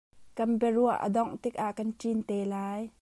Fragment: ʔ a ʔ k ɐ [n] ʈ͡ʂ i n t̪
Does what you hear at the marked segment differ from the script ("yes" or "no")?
no